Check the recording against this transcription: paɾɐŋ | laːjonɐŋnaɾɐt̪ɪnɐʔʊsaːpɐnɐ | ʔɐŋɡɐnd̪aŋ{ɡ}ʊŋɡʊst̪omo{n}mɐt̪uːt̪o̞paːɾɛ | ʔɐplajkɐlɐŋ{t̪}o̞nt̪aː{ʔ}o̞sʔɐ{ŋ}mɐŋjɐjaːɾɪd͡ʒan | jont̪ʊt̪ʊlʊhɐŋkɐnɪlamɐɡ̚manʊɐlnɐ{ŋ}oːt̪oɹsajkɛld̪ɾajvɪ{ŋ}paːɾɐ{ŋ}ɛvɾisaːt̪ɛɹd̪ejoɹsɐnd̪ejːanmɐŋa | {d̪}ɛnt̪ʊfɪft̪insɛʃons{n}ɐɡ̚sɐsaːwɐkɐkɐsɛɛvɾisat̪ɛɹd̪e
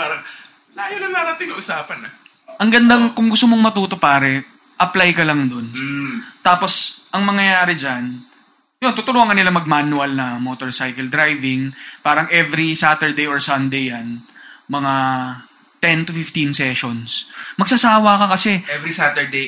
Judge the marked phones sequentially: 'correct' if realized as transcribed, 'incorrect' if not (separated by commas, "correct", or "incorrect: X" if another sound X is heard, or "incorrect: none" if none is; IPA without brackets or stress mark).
incorrect: k, incorrect: ŋ, incorrect: d̪, incorrect: p, correct, incorrect: m, correct, correct, incorrect: t̪, incorrect: m